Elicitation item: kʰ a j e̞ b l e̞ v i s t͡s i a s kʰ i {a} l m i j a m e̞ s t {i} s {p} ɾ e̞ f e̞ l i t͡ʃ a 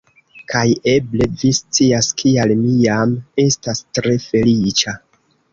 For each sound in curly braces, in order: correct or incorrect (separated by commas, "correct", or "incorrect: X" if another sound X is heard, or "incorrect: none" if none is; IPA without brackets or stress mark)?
correct, incorrect: a, incorrect: t